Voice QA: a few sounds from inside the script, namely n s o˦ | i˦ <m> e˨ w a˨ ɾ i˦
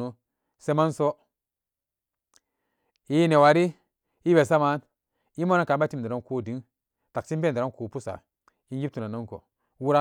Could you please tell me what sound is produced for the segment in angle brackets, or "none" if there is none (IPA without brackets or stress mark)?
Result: n